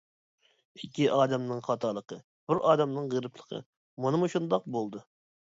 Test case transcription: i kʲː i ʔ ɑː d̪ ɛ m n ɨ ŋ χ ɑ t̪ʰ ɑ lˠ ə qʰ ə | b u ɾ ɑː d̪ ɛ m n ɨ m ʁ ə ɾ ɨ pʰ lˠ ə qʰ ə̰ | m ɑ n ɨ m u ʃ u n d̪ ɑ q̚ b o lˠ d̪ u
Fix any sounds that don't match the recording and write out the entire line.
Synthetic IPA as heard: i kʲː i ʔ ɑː d̪ ɛ m n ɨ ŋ χ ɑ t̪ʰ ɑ lˠ ə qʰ ə | b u ɾ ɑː d̪ ɛ m n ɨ ŋ ʁ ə ɾ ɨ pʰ lˠ ə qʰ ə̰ | m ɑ n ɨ m u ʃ u n d̪ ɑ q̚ b o lˠ d̪ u